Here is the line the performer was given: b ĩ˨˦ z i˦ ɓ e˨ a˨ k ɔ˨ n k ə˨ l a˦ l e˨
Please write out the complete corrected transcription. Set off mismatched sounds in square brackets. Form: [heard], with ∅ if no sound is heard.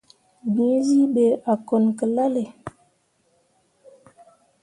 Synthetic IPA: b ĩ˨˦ z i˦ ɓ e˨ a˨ k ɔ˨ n k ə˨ l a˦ l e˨